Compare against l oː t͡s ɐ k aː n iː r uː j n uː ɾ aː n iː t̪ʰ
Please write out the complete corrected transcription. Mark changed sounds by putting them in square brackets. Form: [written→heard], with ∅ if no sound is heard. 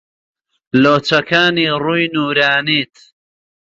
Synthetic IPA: l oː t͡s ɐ k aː n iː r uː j n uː ɾ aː n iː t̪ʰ

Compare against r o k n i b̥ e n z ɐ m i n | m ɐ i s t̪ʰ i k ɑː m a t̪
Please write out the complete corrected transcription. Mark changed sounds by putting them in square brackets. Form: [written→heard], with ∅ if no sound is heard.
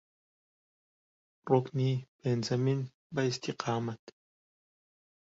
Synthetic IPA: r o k n i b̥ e n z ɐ m i n | [m→b] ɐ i s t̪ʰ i [k→q] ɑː m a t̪

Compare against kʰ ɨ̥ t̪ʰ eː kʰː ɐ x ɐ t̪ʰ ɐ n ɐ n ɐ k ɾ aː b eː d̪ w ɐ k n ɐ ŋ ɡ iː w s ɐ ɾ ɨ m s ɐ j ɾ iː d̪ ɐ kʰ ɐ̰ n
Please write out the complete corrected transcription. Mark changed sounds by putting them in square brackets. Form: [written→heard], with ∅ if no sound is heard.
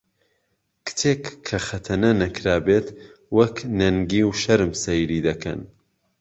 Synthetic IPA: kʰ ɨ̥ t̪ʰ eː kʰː ɐ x ɐ t̪ʰ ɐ n ɐ n ɐ k ɾ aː b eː [d̪→t̪] w ɐ k n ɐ ŋ ɡ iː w [s→ʃ] ɐ ɾ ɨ m s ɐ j ɾ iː d̪ ɐ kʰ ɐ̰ n

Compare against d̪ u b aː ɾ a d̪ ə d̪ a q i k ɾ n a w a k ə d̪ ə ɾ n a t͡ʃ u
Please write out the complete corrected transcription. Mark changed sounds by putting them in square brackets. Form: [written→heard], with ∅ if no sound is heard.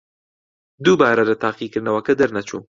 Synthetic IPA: d̪ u b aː ɾ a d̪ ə [d̪→t̪] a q i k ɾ n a w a k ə d̪ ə ɾ n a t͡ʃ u

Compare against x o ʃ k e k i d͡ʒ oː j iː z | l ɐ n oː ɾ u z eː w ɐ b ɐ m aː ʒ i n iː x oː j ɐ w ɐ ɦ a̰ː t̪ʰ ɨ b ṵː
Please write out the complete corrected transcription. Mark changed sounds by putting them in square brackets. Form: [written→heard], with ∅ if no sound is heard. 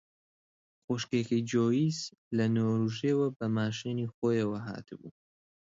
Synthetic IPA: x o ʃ k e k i d͡ʒ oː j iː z | l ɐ n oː ɾ u [z→ʒ] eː w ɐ b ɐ m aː [ʒ→ʃ] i n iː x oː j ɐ w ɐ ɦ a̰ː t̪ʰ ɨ b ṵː

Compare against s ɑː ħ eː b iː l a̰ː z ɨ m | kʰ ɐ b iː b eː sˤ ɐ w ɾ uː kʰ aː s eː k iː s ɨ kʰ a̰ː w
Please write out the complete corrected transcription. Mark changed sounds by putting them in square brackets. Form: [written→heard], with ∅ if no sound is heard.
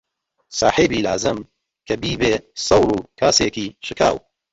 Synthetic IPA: s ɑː ħ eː b iː l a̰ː z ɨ m | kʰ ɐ b iː b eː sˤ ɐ w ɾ uː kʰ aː s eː k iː [s→ʃ] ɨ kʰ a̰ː w

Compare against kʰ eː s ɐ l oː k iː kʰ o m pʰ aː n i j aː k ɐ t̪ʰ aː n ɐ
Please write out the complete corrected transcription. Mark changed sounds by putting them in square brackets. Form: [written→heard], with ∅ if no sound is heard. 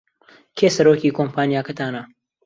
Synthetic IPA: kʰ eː s ɐ [l→ɾ] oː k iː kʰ o m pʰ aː n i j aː k ɐ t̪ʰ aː n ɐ

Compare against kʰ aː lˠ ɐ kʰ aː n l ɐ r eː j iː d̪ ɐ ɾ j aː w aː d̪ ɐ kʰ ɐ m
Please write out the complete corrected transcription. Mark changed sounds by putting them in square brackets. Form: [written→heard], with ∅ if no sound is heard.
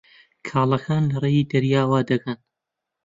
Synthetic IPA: kʰ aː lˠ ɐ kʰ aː n l ɐ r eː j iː d̪ ɐ ɾ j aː w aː d̪ ɐ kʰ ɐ [m→n]

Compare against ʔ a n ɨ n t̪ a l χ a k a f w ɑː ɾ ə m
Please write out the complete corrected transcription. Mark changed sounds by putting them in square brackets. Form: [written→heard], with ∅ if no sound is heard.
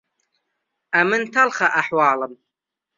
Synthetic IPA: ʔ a [n→m] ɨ n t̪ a l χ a [k→ʔ] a [f→ħ] w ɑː [ɾ→l] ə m

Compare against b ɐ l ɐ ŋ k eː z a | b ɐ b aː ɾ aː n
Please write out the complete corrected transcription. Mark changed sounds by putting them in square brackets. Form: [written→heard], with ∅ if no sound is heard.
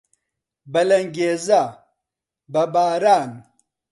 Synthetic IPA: b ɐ l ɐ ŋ [k→ɡ] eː z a | b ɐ b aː ɾ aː n

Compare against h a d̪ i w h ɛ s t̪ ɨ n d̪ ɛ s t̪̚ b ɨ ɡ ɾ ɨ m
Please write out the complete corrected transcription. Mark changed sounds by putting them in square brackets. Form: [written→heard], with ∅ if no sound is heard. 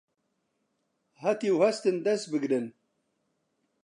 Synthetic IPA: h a [d̪→t̪] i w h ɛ s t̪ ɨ n d̪ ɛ s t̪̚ b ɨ ɡ ɾ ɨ [m→n]

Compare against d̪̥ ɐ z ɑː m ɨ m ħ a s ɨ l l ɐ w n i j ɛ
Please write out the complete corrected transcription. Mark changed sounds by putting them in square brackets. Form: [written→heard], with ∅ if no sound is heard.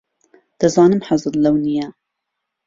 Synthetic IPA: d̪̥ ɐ z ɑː [m→n] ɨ m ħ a [s→z] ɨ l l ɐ w n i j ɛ

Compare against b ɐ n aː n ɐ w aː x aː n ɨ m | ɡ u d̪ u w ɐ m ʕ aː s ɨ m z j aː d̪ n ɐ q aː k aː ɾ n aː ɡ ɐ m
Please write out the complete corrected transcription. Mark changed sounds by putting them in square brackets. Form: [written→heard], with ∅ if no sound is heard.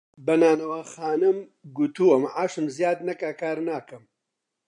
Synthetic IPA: b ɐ n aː n ɐ w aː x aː n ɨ m | ɡ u [d̪→t̪] u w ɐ m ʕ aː [s→ʃ] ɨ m z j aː d̪ n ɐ [q→k] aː k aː ɾ n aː [ɡ→k] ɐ m

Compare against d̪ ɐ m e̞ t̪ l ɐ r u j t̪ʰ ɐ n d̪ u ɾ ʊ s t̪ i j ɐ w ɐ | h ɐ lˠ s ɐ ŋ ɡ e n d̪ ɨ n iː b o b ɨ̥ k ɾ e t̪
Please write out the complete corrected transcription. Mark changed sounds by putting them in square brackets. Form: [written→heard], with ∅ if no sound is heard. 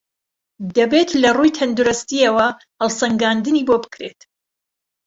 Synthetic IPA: d̪ ɐ [m→b] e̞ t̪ l ɐ r u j t̪ʰ ɐ n d̪ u ɾ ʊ s t̪ i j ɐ w ɐ | h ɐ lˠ s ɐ ŋ ɡ [e→a] n d̪ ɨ n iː b o b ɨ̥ k ɾ e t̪

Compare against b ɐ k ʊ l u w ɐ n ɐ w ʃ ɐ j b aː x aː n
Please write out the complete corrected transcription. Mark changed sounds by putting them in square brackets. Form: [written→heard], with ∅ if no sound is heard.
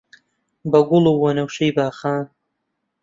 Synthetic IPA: b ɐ [k→ɡ] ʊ l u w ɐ n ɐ w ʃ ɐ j b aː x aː n

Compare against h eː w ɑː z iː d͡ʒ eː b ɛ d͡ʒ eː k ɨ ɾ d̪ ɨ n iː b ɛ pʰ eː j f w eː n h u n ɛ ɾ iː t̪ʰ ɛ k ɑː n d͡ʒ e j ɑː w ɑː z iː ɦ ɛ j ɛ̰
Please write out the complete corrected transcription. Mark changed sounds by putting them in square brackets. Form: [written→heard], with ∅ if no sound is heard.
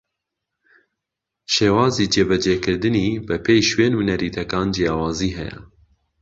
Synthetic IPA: [h→ʃ] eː w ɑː z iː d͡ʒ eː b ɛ d͡ʒ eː k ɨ ɾ d̪ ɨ n iː b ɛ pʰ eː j [f→ʃ] w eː n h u n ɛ ɾ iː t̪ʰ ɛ k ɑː n d͡ʒ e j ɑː w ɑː z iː ɦ ɛ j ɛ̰

